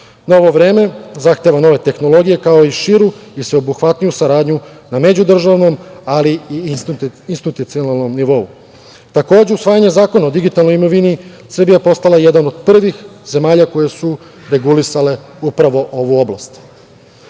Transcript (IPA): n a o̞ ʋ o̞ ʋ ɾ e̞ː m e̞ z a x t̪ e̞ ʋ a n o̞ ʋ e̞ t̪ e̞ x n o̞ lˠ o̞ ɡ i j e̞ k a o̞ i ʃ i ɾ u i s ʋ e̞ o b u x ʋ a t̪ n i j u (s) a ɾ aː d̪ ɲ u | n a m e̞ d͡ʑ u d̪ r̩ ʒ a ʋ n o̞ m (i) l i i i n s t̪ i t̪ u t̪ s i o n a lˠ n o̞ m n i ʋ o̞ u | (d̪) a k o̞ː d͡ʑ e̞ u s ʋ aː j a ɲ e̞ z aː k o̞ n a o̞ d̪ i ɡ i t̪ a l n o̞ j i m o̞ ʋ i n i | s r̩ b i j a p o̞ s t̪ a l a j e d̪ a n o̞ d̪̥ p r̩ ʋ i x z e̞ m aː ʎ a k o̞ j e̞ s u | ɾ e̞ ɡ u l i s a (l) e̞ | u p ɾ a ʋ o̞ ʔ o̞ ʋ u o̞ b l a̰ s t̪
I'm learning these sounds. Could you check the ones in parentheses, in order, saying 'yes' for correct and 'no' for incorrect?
yes, no, no, yes

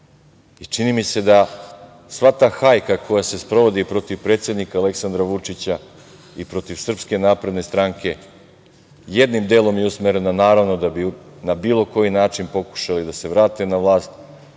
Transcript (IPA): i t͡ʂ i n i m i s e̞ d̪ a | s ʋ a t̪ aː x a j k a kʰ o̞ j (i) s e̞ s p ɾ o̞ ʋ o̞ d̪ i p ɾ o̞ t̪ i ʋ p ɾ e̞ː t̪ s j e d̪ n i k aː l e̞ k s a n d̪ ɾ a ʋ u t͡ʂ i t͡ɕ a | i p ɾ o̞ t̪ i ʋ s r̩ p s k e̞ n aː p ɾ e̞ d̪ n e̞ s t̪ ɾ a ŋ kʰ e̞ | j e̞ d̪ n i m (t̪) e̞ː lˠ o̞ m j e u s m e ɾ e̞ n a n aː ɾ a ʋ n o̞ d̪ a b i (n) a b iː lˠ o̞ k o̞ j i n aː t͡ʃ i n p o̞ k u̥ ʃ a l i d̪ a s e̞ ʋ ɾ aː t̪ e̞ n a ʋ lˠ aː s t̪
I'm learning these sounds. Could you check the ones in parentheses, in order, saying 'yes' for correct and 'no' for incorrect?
no, no, yes

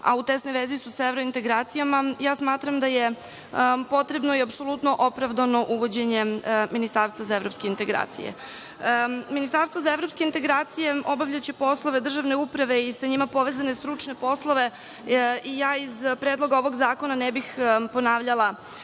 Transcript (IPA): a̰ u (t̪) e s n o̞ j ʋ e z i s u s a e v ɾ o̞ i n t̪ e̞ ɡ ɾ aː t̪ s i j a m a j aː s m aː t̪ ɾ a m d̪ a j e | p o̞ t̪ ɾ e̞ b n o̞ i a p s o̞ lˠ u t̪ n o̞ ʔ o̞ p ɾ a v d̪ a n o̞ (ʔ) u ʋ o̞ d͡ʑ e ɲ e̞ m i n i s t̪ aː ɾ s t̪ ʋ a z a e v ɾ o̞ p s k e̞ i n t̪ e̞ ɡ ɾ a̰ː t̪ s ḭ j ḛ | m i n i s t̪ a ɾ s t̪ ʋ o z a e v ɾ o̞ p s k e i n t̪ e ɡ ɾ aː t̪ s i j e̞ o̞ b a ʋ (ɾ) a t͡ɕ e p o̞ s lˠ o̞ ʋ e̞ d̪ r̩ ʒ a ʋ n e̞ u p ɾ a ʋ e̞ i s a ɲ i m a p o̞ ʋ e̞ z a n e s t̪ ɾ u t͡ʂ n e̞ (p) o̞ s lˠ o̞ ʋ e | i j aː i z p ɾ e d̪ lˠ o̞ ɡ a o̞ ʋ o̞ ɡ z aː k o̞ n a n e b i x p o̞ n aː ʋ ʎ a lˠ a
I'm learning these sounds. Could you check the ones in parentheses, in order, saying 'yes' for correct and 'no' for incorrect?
yes, yes, no, yes

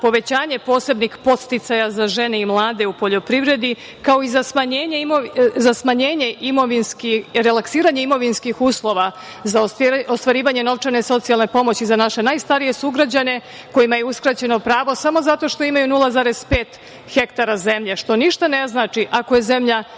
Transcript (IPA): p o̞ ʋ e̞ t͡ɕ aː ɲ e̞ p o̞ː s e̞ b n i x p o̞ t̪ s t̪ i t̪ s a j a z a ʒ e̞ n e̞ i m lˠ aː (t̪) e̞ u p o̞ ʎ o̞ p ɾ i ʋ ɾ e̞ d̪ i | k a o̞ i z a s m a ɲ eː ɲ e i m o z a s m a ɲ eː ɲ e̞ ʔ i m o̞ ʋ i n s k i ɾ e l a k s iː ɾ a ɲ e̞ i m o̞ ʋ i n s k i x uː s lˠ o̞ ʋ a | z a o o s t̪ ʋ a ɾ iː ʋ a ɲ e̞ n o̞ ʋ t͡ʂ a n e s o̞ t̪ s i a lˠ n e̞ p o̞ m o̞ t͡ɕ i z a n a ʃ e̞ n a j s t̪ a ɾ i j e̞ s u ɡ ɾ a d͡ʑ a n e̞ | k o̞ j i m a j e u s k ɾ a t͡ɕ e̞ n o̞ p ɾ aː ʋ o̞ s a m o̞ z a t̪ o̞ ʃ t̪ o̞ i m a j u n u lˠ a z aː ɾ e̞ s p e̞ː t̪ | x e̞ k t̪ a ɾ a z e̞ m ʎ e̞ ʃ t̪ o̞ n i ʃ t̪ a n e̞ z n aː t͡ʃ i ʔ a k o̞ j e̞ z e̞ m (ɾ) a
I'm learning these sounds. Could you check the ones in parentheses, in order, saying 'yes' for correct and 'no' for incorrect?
no, no

